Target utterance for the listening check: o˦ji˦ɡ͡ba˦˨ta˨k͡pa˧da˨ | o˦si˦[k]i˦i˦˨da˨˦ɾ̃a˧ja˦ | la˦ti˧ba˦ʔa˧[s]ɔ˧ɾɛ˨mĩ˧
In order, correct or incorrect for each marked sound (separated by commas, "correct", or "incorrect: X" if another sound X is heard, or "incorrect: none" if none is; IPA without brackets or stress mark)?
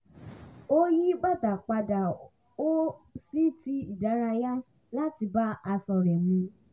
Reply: incorrect: t, correct